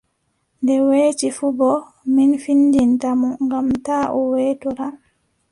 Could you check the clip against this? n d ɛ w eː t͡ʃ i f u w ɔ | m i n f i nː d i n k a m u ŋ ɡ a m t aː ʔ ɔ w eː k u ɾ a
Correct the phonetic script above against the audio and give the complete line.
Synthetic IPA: n d ɛ w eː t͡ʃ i f u b ɔ | m i n f i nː d i n t a m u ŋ ɡ a m t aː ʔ ɔ w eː t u ɾ a